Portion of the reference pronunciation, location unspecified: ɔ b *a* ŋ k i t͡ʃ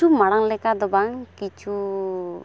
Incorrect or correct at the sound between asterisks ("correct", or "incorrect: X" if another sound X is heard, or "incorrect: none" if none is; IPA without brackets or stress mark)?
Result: correct